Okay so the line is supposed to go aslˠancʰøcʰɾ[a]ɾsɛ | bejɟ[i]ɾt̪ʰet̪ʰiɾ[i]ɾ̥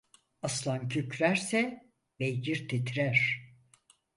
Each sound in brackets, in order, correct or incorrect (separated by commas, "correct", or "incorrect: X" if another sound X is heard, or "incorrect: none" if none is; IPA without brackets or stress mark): incorrect: æ, correct, incorrect: æ